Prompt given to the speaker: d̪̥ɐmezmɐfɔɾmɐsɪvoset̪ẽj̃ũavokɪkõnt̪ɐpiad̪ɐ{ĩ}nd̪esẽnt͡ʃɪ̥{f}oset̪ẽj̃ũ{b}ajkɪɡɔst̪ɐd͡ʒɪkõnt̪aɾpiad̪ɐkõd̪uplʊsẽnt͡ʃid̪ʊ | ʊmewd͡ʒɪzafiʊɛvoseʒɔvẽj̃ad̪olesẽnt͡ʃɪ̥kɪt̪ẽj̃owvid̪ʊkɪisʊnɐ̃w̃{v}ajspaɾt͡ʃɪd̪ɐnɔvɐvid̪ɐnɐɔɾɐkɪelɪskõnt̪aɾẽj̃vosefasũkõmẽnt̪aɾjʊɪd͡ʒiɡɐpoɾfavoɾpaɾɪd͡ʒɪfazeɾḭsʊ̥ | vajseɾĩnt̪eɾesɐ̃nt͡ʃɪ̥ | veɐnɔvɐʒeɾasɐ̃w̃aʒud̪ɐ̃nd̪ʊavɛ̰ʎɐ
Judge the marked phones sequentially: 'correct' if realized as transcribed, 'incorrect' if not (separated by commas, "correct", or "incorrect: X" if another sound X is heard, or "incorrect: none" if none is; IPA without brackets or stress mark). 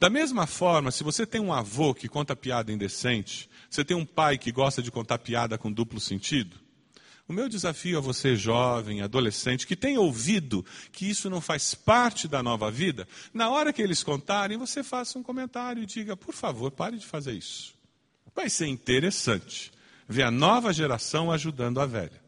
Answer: correct, incorrect: v, incorrect: p, incorrect: f